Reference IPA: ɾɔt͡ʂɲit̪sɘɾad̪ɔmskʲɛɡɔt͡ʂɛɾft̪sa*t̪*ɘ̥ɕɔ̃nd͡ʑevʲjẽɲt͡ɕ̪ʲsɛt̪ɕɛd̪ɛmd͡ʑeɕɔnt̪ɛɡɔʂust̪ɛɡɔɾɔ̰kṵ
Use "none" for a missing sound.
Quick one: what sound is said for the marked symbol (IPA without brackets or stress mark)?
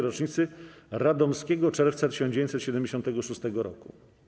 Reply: t̪